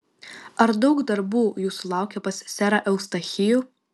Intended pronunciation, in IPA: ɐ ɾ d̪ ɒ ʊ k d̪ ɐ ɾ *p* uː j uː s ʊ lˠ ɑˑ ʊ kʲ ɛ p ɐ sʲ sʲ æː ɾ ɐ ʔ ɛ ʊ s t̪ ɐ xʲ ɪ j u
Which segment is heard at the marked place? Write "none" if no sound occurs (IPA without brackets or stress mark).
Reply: b